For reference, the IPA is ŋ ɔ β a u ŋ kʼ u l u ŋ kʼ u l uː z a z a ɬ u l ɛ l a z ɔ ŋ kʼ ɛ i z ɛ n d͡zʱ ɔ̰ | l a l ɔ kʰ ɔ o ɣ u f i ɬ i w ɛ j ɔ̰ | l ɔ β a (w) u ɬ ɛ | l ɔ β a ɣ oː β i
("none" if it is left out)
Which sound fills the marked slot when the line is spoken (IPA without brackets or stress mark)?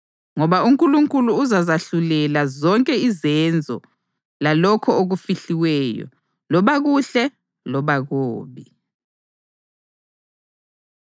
ɣ